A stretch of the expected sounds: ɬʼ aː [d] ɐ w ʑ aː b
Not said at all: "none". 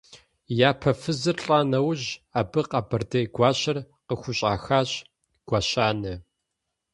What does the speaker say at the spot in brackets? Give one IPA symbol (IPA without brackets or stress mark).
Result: n